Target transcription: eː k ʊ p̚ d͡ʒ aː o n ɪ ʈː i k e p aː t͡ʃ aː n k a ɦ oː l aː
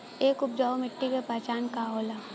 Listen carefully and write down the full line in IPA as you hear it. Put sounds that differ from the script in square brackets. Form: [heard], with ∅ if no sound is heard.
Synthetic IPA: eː k ʊ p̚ d͡ʒ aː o [m] ɪ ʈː i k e p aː t͡ʃ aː n k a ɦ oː l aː